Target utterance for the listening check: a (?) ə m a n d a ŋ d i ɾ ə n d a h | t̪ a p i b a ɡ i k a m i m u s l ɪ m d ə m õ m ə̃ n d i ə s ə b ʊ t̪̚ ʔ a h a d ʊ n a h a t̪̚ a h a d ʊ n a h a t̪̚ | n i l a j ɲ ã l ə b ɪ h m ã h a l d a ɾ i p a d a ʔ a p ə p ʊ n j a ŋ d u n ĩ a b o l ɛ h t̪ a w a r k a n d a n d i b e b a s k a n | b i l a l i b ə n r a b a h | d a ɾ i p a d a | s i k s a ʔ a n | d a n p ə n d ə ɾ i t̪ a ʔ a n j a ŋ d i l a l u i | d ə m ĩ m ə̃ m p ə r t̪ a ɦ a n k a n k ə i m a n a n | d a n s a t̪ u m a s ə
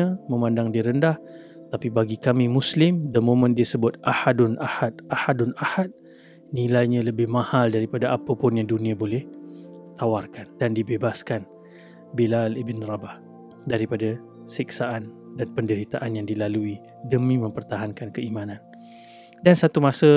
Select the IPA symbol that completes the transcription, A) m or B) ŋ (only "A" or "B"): A